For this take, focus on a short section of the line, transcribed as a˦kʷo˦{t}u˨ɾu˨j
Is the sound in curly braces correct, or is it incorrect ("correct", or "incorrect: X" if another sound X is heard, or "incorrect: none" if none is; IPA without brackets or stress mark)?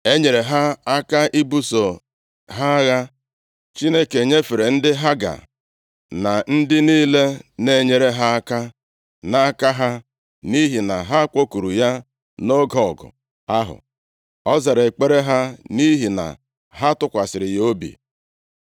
incorrect: k